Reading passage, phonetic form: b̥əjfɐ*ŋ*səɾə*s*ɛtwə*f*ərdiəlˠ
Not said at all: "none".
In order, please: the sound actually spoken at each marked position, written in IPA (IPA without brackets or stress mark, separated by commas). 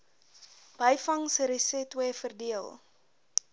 ŋ, s, f